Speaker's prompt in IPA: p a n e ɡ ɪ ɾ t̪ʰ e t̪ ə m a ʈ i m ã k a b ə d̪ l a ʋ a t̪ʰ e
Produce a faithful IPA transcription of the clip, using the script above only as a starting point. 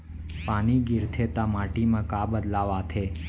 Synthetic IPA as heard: p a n i ɡ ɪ ɾ t̪ʰ e t̪ a m a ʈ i m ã k a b ə d̪ l a ʋ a t̪ʰ e